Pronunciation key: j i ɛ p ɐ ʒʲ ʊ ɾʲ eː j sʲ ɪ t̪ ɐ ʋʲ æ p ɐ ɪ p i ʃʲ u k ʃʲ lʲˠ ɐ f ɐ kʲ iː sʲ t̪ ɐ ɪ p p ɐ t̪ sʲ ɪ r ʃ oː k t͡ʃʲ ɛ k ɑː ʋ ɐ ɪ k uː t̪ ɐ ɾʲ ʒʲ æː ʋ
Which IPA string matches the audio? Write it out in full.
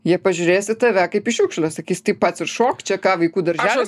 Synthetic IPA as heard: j i ɛ p ɐ ʒʲ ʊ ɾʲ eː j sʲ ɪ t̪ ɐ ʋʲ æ k ɐ ɪ p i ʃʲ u k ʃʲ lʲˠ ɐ s ɐ kʲ iː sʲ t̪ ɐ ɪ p p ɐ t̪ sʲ ɪ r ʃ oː k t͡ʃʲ ɛ k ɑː ʋ ɐ ɪ k uː d̪ ɐ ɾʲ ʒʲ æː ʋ